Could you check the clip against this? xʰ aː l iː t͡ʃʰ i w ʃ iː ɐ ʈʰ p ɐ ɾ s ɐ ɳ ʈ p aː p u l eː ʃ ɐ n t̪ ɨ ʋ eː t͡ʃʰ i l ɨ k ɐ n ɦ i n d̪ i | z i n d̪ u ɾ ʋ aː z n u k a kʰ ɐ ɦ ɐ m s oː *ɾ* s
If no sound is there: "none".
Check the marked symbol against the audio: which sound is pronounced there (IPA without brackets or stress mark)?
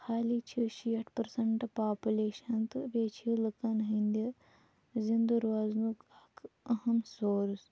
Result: ɾ